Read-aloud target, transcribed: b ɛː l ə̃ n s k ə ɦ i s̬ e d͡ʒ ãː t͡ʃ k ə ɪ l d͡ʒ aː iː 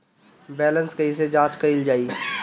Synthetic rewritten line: b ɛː l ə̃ n s k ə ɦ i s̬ e d͡ʒ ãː t͡ʃ k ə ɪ l d͡ʒ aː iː